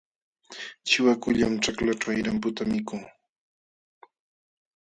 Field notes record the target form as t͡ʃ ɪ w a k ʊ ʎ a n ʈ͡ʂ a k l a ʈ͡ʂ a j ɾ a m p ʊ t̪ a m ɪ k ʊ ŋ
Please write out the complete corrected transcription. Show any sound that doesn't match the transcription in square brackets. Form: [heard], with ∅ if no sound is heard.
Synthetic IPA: t͡ʃ ɪ w a k ʊ ʎ a [m] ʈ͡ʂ a k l a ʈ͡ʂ a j ɾ a m p ʊ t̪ a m ɪ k ʊ ŋ